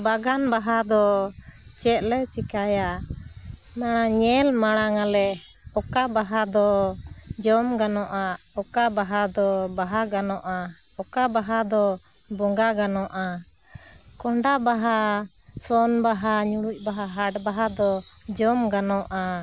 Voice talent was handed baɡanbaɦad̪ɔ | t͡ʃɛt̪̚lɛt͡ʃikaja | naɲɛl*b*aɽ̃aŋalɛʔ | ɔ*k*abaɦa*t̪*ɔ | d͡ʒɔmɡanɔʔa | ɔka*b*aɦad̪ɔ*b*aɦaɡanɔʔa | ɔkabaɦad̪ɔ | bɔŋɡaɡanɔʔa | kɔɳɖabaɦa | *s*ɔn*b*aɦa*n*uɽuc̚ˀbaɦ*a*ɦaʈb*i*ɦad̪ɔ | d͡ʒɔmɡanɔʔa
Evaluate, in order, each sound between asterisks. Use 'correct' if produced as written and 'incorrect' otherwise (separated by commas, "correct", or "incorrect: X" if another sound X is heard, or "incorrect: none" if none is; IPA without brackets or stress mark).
incorrect: m, correct, incorrect: d̪, correct, correct, correct, correct, incorrect: ɲ, correct, incorrect: a